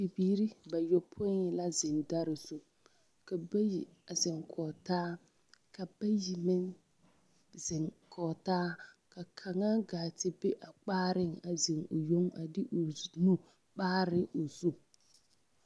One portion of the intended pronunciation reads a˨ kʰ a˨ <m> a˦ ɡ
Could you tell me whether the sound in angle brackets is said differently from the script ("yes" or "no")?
yes